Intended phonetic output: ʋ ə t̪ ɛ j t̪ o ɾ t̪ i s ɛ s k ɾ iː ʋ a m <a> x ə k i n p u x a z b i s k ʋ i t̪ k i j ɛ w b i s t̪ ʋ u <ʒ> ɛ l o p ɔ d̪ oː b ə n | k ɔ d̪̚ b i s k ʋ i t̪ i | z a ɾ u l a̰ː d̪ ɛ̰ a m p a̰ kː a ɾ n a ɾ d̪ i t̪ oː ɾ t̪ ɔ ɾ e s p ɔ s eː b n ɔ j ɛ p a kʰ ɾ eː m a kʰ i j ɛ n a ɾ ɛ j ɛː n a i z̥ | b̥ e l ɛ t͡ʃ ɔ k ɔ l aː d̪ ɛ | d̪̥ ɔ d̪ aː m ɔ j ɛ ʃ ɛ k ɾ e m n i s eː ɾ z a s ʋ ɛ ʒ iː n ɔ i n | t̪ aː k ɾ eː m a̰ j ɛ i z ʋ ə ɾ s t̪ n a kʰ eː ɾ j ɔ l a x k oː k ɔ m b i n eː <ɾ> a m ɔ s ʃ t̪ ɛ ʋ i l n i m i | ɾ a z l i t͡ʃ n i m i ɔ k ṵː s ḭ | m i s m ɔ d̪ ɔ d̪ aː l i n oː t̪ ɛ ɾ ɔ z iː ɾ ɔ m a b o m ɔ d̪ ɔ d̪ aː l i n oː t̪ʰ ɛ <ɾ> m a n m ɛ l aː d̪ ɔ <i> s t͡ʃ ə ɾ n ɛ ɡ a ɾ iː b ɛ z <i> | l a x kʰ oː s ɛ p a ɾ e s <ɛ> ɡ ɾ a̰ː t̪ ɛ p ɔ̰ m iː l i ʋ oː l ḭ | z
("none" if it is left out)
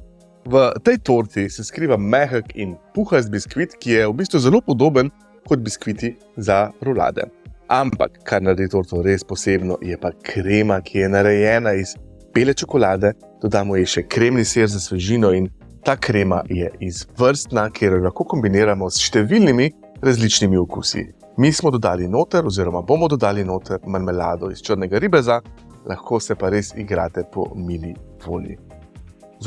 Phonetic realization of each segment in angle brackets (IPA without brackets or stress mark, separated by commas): ɛ, z, ɾ, ɾ, i, a, i